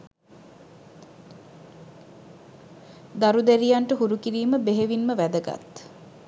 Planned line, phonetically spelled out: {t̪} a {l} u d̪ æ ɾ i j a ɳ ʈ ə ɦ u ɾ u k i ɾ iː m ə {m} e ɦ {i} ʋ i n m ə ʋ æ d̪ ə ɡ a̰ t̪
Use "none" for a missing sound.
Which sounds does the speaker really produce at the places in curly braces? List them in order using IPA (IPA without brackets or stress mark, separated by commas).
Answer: d̪, ɾ, b, e